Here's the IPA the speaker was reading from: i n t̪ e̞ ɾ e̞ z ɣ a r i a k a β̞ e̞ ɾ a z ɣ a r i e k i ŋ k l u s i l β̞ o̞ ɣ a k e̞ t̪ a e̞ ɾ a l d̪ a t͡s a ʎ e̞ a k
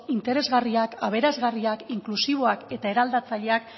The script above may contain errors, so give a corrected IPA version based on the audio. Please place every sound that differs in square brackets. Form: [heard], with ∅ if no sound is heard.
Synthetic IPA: i n t̪ e̞ ɾ e̞ z ɣ a r i a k a β̞ e̞ ɾ a z ɣ a r i [a] k i ŋ k l u s i [∅] β̞ o̞ [∅] a k e̞ t̪ a e̞ ɾ a l d̪ a t͡s a ʎ e̞ a k